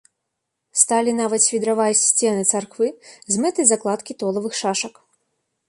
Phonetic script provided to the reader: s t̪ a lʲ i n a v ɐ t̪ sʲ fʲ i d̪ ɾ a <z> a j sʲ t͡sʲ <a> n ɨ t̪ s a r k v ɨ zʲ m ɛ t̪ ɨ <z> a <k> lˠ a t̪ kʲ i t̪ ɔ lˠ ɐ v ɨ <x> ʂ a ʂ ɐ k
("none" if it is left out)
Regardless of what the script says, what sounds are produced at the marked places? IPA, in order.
v, ɛ, z, k, x

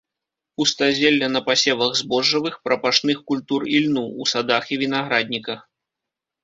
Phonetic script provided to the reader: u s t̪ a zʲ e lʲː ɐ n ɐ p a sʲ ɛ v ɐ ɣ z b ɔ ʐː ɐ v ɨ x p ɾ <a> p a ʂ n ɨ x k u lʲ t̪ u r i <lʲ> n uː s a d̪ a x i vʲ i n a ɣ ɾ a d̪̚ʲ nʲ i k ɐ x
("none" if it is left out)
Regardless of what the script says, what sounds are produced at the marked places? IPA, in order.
ɐ, lʲ

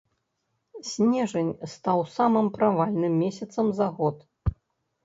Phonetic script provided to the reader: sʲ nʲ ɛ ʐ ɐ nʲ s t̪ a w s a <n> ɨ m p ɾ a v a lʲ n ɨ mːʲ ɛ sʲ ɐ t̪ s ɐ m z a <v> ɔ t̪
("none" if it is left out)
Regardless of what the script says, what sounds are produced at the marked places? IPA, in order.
m, ɣ

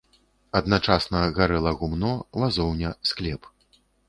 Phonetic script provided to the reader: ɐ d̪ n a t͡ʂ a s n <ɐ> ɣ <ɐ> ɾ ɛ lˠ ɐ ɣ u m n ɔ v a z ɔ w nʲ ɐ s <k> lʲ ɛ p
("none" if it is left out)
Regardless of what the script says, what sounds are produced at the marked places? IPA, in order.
ɐ, a, k

